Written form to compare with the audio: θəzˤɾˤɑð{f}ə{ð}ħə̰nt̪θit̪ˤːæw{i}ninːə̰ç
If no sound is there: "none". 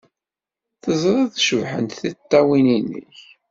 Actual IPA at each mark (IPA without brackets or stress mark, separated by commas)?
ʃ, v, i